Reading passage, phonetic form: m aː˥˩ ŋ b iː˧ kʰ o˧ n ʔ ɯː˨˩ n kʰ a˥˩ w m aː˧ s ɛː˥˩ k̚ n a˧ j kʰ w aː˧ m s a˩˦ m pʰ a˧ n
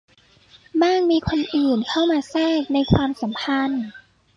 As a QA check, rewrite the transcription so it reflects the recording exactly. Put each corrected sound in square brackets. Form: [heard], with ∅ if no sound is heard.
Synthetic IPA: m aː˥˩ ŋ [m] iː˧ kʰ o˧ n ʔ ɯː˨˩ n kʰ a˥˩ w m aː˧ s ɛː˥˩ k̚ n a˧ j kʰ w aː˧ m s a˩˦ m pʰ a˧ n